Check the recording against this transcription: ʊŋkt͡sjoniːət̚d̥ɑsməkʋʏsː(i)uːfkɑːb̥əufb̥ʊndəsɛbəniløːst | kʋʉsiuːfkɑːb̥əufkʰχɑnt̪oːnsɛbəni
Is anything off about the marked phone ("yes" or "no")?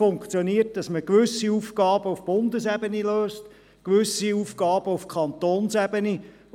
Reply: no